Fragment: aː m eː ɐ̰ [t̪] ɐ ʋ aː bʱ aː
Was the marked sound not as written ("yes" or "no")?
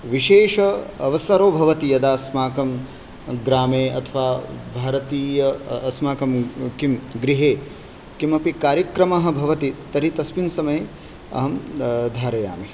yes